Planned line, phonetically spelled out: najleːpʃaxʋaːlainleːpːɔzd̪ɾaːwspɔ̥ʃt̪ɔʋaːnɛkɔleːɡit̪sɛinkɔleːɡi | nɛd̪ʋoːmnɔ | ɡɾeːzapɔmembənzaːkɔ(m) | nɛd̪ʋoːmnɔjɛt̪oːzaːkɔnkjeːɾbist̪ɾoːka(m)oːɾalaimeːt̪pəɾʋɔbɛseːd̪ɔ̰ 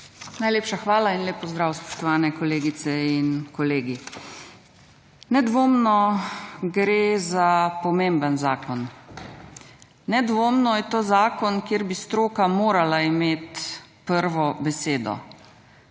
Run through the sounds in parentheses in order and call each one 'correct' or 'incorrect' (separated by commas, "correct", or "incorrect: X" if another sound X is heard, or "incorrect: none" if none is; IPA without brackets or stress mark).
incorrect: n, correct